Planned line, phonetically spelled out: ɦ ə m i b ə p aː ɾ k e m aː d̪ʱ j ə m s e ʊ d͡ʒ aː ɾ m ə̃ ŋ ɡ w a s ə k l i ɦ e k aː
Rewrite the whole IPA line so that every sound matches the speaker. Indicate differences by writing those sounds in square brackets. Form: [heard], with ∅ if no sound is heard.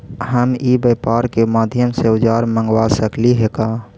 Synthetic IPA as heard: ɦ ə m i b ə p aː ɾ k e m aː d̪ʱ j ə m s e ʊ d͡ʒ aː ɾ m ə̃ ŋ ɡ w a s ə k l i ɦ e k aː